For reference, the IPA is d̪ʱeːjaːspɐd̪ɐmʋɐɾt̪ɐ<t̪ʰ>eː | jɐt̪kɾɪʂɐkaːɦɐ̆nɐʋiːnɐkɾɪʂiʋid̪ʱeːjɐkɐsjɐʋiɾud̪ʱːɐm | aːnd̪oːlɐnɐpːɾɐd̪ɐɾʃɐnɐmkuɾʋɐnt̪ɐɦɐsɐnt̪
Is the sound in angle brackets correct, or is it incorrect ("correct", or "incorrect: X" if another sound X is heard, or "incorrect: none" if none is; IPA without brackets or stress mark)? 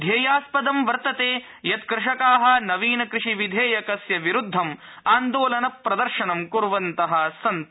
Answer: incorrect: t̪